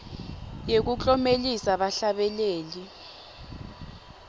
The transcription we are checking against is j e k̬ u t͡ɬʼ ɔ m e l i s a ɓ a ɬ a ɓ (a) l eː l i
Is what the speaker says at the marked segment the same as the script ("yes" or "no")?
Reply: no